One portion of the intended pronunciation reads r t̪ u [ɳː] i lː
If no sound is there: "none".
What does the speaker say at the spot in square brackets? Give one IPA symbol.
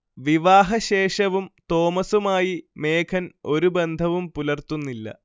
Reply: nː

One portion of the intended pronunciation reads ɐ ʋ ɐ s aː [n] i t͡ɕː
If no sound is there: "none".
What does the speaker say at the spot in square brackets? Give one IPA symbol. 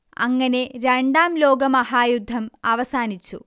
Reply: n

